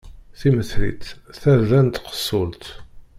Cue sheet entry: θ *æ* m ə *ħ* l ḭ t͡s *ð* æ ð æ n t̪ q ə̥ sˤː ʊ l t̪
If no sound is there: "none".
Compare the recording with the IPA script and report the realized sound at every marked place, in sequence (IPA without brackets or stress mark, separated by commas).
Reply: i, θ, θ